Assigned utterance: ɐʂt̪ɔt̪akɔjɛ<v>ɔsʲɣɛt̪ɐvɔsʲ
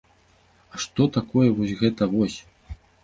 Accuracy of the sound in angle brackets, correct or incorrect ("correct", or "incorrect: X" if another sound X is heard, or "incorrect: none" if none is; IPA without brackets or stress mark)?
correct